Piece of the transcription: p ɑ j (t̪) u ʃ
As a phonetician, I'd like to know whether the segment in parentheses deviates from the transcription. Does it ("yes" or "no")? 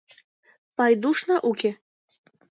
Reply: yes